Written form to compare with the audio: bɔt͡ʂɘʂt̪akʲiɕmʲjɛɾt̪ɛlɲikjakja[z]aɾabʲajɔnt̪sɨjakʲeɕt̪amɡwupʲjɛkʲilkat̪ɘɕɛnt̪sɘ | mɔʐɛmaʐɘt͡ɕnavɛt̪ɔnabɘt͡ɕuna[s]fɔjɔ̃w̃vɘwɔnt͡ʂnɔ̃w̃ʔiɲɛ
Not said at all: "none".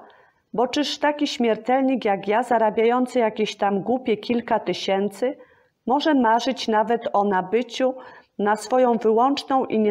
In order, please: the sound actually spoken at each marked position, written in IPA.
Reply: z, s

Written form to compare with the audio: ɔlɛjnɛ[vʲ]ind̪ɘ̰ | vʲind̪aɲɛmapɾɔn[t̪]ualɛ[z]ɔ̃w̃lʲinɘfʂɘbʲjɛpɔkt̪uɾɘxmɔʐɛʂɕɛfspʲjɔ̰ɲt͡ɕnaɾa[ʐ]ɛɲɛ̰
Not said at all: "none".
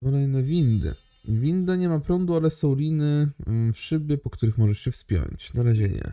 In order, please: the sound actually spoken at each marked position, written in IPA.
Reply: vʲ, d̪, s, ʑ

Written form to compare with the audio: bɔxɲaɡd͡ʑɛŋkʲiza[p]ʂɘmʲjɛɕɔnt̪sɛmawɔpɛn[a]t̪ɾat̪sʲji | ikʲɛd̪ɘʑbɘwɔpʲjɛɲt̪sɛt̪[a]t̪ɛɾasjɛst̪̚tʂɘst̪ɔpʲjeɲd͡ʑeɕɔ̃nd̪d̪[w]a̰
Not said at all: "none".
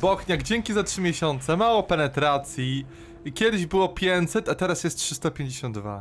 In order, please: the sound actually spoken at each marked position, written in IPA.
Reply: t, ɛ, a, v

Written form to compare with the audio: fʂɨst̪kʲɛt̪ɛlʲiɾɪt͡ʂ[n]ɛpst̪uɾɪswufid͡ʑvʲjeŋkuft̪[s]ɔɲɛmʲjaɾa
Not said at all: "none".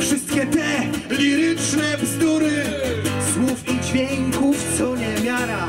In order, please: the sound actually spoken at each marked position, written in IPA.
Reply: n, s

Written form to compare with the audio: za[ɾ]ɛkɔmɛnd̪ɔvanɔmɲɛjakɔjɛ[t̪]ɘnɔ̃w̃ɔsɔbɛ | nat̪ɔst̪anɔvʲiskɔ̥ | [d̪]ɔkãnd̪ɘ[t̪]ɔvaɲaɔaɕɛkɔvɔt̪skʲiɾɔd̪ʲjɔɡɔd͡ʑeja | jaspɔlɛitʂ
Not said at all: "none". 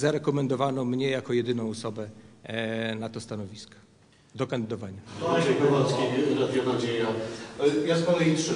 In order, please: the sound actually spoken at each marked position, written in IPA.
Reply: ɾ, d̪, d̪, d̪

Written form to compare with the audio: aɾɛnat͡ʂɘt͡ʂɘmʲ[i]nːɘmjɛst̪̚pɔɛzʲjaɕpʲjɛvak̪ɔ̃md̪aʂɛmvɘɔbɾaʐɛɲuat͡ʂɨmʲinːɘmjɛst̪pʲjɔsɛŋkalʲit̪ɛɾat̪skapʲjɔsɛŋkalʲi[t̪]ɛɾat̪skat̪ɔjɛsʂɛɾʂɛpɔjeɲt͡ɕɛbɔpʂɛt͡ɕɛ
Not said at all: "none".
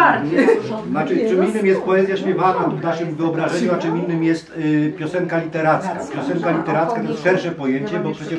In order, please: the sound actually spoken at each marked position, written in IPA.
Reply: i, t̪

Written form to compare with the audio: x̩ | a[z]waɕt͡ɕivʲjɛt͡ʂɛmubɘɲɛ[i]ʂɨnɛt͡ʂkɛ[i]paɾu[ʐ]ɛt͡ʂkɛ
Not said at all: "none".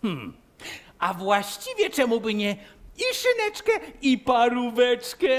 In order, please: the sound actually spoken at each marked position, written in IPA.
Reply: v, i, i, v

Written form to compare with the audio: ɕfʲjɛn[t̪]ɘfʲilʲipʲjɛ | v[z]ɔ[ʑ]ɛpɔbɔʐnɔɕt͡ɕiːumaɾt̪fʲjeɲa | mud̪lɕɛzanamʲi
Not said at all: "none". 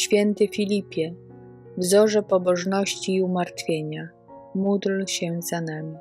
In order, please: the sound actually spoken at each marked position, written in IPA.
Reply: t̪, z, ʐ

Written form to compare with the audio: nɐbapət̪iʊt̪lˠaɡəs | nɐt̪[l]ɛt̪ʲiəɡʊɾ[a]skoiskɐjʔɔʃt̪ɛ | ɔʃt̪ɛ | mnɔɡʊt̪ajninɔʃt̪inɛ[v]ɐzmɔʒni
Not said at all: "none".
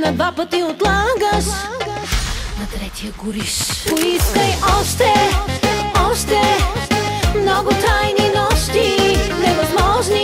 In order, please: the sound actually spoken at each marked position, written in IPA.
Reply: ɾ, i, v

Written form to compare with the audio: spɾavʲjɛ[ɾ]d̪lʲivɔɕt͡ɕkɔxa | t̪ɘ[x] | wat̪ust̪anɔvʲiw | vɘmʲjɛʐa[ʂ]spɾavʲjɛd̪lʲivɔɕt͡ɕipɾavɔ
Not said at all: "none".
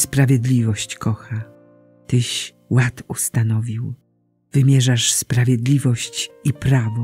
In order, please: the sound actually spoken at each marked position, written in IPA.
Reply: none, ɕ, ʂ

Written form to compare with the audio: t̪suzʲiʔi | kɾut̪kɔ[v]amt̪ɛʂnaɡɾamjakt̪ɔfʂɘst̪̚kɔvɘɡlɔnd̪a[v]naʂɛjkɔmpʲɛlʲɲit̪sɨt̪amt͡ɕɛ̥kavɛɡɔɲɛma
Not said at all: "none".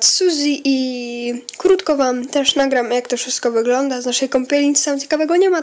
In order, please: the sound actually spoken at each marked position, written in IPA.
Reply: v, z

